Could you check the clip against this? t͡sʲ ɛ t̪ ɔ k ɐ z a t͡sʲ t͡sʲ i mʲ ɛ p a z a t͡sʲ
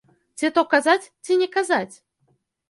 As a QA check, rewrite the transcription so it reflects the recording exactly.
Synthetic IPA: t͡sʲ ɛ t̪ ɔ k a z a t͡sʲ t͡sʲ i nʲ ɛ k a z a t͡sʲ